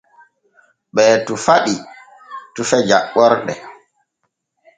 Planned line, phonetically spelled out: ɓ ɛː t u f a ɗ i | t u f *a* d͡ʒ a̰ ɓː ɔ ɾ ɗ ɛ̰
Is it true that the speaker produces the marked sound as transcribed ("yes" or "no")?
no